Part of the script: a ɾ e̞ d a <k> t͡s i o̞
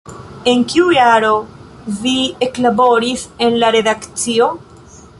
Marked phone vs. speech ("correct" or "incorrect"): correct